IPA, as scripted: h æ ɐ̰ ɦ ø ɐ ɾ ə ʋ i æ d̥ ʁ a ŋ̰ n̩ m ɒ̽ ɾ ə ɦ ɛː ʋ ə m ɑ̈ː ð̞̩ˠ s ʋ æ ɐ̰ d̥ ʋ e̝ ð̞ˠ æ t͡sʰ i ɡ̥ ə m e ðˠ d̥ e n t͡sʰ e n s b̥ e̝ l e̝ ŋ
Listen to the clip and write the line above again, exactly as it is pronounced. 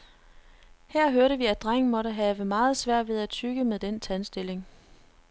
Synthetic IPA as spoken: h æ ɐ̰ ɦ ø ɐ ɾ ə ʋ i æ d̥ ʁ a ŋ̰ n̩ m ɒ̽ ɾ ə ɦ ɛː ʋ ə m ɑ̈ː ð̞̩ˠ s ʋ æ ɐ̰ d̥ ʋ e̝ ð̞ˠ æ t͡sʰ y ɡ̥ ə m e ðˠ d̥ e n t͡sʰ æ n s d̥ e̝ l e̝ ŋ